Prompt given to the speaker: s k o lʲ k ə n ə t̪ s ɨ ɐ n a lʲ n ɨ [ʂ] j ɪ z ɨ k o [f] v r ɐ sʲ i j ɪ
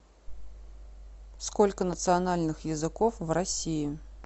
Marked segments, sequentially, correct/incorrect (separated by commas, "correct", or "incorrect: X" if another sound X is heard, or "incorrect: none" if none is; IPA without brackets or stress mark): incorrect: x, correct